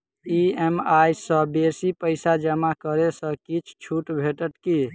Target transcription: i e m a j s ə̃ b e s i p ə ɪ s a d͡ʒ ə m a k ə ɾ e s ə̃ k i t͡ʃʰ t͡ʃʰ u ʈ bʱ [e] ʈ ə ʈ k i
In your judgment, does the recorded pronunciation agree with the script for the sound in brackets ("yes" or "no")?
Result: yes